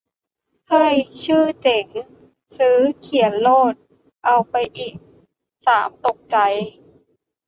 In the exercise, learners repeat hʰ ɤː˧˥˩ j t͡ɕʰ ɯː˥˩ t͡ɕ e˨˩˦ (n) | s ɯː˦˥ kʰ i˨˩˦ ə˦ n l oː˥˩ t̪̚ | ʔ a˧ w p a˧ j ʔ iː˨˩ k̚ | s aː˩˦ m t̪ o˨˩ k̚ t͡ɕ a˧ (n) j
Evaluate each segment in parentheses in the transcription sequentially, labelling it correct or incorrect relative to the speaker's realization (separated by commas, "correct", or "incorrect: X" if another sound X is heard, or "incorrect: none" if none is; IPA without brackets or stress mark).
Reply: incorrect: ŋ, incorrect: none